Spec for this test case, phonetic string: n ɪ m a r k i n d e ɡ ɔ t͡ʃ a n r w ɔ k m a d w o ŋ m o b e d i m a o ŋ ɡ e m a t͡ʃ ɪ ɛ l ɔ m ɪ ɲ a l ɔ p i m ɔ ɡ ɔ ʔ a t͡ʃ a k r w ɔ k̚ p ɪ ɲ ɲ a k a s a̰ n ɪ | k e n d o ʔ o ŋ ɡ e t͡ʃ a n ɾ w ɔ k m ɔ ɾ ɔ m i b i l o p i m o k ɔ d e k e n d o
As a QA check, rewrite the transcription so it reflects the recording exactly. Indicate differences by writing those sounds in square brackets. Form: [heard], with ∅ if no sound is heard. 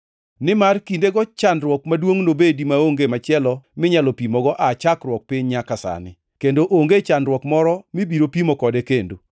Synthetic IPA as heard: n ɪ m a r k i n d e ɡ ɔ t͡ʃ a n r w ɔ k m a d w o ŋ [n] o b e d i m a o ŋ ɡ e m a t͡ʃ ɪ ɛ l ɔ m ɪ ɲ a l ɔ p i m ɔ ɡ ɔ ʔ a t͡ʃ a k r w ɔ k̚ p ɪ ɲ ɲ a k a s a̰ n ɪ | k e n d o ʔ o ŋ ɡ e t͡ʃ a n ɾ w ɔ k m ɔ ɾ ɔ m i b i [ɾ] o p i m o k ɔ d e k e n d o